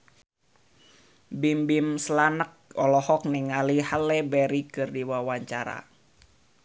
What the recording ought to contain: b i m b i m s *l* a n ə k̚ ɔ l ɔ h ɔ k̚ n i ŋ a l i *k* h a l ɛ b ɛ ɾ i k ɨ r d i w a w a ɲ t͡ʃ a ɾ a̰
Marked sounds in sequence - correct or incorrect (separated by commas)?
correct, incorrect